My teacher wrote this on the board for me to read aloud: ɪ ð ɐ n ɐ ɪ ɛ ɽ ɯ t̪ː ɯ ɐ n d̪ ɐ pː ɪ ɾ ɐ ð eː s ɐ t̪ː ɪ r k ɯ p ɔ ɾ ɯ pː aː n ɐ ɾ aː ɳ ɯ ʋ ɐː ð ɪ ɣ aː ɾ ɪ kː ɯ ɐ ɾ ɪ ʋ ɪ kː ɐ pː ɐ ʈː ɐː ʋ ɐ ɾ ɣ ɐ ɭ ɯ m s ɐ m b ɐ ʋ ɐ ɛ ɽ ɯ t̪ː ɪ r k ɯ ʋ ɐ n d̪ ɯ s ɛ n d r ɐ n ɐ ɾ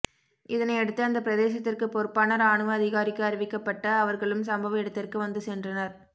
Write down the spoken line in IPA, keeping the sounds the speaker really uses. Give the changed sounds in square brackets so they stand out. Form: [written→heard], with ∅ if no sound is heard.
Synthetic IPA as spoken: ɪ ð ɐ n ɐ ɪ ɛ ɽ ɯ t̪ː ɯ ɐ n d̪ ɐ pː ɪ ɾ ɐ ð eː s ɐ t̪ː ɪ r k ɯ p ɔ ɾ ɯ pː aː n ɐ ɾ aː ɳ ɯ ʋ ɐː ð ɪ ɣ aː ɾ ɪ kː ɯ ɐ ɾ ɪ ʋ ɪ kː ɐ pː ɐ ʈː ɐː ʋ ɐ ɾ ɣ ɐ ɭ ɯ m s ɐ m b ɐ ʋ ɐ ɛ ɽ ɯ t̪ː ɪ r k ɯ ʋ ɐ n d̪ ɯ s ɛ n d r ɐ n ɐ ɾ